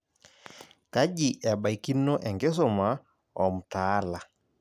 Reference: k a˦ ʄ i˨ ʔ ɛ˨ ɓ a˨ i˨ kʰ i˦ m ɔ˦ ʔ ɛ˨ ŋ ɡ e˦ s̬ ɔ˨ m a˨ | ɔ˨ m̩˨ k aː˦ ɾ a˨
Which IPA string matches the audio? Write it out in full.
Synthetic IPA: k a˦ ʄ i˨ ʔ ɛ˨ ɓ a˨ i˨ k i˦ n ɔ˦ ʔ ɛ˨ ŋ ɡ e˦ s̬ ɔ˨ m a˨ | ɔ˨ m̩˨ t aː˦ l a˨